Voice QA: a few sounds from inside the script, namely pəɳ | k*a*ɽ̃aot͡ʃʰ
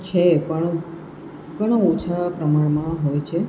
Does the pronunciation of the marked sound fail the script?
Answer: yes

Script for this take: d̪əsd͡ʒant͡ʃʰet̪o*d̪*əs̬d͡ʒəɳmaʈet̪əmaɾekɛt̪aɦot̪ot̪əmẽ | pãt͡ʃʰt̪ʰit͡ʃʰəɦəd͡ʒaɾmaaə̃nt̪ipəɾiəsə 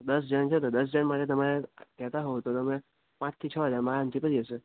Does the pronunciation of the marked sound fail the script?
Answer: no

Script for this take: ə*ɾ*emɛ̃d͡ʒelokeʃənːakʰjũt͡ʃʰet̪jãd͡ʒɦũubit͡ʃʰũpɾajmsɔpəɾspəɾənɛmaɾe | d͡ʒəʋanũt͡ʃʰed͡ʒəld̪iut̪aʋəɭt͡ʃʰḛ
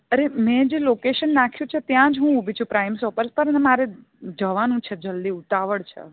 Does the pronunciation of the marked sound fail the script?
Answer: no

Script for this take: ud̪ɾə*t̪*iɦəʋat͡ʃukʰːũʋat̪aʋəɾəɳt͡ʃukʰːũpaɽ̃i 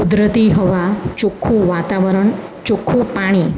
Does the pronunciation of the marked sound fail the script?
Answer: no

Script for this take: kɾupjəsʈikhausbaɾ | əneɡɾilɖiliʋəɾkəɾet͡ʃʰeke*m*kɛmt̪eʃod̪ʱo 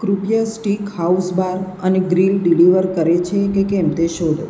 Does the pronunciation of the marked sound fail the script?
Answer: yes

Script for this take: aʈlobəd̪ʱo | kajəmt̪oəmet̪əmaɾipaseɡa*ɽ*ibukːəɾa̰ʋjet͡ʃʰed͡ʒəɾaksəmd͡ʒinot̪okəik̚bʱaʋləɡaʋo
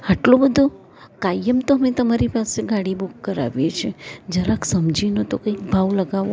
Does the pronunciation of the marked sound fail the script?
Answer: no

